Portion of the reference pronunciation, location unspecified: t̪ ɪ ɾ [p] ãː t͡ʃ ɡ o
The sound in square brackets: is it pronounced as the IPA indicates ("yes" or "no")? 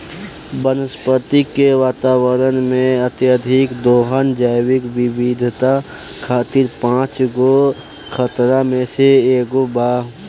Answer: yes